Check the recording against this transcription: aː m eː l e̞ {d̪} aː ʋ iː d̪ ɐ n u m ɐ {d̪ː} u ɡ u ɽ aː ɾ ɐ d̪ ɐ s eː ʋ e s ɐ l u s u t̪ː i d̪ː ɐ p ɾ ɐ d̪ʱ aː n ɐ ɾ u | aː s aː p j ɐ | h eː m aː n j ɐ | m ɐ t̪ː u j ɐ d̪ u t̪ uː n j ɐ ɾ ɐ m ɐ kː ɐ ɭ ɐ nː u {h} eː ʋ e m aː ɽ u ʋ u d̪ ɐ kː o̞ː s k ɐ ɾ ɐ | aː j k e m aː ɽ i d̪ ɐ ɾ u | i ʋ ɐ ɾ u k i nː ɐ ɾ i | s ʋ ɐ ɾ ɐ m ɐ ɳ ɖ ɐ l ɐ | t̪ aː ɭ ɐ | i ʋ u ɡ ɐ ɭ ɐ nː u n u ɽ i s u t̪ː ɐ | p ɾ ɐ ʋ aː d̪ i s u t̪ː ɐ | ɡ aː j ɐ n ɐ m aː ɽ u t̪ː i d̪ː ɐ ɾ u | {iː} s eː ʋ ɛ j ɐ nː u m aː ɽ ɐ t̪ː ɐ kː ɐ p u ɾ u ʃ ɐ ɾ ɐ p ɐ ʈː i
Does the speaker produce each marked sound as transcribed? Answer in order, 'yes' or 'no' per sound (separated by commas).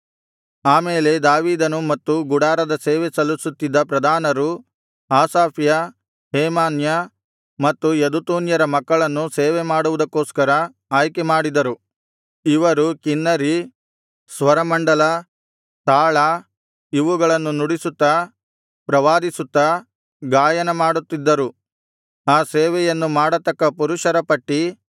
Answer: yes, no, no, no